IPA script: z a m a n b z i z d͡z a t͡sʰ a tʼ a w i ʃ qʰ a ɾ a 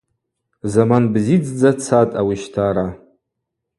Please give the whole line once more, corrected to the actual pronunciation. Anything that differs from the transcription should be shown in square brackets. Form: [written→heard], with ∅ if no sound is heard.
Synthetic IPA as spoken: z a m a n b z i [z→d͡z] d͡z a t͡sʰ a tʼ a w i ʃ [qʰ→tʰ] a ɾ a